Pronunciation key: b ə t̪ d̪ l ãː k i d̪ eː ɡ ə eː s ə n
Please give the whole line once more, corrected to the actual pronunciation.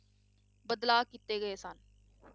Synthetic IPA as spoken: b ə d̪ l aː k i t̪ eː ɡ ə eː s ə n